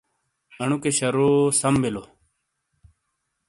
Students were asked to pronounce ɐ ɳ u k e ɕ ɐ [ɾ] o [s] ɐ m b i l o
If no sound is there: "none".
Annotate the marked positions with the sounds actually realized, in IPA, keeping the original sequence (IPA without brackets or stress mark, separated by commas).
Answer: ɾ, s